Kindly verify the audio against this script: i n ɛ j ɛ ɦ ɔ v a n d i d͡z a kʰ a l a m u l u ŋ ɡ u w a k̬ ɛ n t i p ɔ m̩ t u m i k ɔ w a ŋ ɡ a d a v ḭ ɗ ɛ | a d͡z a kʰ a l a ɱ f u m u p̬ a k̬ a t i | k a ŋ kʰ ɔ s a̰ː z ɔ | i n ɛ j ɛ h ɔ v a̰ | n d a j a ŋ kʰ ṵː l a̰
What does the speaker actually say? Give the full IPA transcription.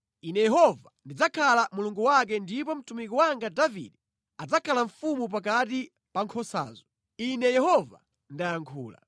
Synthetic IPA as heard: i n ɛ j ɛ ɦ ɔ v a n d i d͡z a kʰ a l a m u l u ŋ ɡ u w a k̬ ɛ n d i p ɔ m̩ t u m i k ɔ w a ŋ ɡ a d a v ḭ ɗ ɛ | a d͡z a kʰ a l a ɱ f u m u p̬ a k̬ a t i | p a ŋ kʰ ɔ s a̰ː z ɔ | i n ɛ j ɛ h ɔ v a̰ | n d a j a ŋ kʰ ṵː l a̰